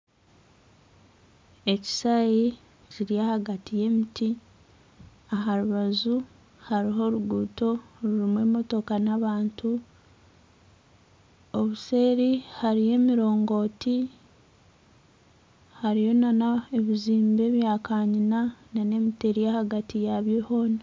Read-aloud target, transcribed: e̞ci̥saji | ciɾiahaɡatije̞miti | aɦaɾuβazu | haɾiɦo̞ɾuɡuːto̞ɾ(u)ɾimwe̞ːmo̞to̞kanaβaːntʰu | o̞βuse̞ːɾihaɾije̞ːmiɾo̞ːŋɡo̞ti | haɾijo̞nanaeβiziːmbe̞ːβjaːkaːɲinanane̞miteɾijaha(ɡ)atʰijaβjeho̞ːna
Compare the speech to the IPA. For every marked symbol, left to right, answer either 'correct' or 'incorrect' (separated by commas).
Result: correct, correct